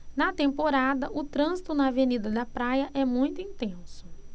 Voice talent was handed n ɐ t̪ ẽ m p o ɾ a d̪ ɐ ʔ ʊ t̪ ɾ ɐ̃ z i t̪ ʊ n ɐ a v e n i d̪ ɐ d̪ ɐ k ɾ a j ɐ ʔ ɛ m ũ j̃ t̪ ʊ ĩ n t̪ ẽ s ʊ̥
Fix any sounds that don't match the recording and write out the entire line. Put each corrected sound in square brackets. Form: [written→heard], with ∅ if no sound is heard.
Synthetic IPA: n ɐ t̪ ẽ m p o ɾ a d̪ ɐ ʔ ʊ t̪ ɾ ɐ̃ z i t̪ ʊ n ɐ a v e n i d̪ ɐ d̪ ɐ [k→p] ɾ a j ɐ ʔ ɛ m ũ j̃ t̪ ʊ ĩ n t̪ ẽ s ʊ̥

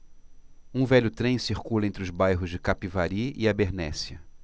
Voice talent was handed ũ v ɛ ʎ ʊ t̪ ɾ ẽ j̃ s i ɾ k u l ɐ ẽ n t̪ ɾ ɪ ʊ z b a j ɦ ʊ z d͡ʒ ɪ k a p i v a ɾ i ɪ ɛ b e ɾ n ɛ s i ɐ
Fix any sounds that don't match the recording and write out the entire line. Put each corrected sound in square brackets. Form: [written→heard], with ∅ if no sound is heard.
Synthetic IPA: ũ v ɛ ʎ ʊ t̪ ɾ ẽ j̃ s i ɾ k u l ɐ ẽ n t̪ ɾ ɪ ʊ z b a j ɦ ʊ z d͡ʒ ɪ k a p i v a ɾ i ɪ [ɛ→a] b e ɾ n ɛ s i ɐ

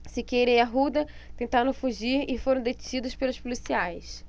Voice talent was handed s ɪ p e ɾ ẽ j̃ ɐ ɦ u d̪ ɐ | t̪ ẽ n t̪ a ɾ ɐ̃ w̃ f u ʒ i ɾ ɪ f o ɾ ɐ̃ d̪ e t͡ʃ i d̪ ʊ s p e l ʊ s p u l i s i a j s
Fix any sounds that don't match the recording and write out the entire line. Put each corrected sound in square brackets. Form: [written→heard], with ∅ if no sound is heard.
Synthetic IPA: s ɪ [p→k] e ɾ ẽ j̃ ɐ ɦ u d̪ ɐ | t̪ ẽ n t̪ a ɾ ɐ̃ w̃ f u ʒ i ɾ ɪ f o ɾ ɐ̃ d̪ e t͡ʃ i d̪ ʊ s p e l ʊ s p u l i s i a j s

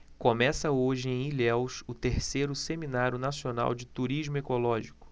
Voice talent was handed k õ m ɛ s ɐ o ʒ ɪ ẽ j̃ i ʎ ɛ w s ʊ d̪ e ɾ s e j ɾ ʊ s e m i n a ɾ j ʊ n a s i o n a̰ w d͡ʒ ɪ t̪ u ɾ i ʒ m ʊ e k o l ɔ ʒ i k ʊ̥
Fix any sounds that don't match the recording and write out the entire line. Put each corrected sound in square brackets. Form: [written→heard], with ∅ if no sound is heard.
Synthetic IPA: k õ m ɛ s ɐ o ʒ ɪ ẽ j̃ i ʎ ɛ w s ʊ [d̪→t̪] e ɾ s e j ɾ ʊ s e m i n a ɾ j ʊ n a s i o n a̰ w d͡ʒ ɪ t̪ u ɾ i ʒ m ʊ e k o l ɔ ʒ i k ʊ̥

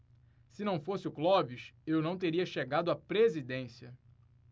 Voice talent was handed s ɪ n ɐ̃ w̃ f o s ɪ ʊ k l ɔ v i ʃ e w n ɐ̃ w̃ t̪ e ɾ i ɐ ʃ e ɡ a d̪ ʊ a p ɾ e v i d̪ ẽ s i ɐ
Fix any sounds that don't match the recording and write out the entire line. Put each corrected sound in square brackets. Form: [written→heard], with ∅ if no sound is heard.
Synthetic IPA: s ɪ n ɐ̃ w̃ f o s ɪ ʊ k l ɔ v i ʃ e w n ɐ̃ w̃ t̪ e ɾ i ɐ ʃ e ɡ a d̪ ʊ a p ɾ e [v→z] i d̪ ẽ s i ɐ

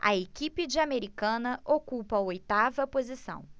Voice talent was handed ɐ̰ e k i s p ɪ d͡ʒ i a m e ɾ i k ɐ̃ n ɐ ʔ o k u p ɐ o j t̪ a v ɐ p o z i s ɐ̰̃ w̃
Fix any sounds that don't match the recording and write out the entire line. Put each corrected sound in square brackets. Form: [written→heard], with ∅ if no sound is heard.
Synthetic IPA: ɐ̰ e k i [s→∅] p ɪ d͡ʒ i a m e ɾ i k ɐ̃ n ɐ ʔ o k u p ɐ o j t̪ a v ɐ p o z i s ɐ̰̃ w̃

